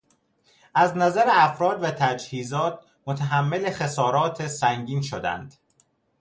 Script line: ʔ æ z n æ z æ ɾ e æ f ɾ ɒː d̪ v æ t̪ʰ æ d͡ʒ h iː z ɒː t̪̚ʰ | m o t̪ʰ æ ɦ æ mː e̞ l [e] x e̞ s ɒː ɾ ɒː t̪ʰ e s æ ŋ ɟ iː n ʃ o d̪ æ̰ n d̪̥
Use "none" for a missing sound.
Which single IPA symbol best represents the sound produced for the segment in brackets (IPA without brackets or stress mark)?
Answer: e